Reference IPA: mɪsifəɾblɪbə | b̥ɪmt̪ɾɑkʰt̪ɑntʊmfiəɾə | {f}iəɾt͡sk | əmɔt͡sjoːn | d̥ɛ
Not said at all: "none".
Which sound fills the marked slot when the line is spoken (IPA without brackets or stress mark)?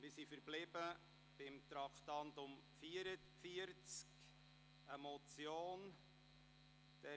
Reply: f